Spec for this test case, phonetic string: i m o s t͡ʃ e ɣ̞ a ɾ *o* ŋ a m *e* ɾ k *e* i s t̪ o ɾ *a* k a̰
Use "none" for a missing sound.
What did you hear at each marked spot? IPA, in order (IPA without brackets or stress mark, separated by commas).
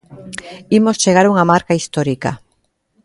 u, a, a, i